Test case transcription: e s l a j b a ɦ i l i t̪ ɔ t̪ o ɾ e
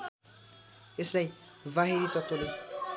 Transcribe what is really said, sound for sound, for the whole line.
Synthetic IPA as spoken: e s l a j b a ɦ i ɾ i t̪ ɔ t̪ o l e